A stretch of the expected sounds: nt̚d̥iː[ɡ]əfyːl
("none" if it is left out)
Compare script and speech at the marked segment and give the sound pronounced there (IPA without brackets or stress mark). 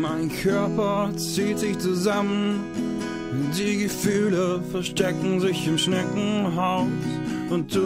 ɡ